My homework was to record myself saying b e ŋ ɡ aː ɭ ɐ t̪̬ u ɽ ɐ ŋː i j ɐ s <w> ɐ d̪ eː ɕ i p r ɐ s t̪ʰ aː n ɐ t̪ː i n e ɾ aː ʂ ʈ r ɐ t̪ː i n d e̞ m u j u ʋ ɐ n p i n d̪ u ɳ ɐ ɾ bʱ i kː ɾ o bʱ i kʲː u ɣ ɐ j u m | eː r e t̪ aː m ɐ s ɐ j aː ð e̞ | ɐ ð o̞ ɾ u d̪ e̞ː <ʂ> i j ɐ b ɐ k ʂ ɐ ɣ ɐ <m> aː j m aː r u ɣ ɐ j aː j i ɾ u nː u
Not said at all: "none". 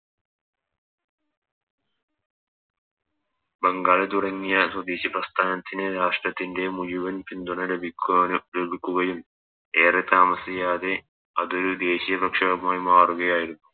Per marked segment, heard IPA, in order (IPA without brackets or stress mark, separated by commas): w, ɕ, m